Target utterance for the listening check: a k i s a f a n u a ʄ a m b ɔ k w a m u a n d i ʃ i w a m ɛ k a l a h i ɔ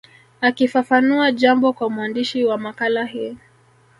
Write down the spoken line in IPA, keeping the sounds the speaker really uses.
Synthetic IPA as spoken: a k i f a f a n u a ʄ a m b ɔ k w a m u a n d i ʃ i w a m a k a l a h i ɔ